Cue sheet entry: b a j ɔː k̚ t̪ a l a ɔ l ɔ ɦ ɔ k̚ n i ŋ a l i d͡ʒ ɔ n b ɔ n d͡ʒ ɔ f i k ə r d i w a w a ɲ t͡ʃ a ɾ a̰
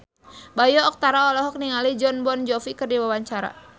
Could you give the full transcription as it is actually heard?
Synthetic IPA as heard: b a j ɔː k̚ t̪ a ɾ a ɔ l ɔ ɦ ɔ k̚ n i ŋ a l i d͡ʒ ɔ n b ɔ n d͡ʒ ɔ f i k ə r d i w a w a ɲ t͡ʃ a ɾ a̰